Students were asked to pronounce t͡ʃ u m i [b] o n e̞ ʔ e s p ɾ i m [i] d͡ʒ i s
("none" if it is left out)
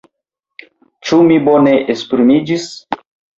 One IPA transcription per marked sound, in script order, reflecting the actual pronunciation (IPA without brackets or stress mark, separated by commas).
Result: b, i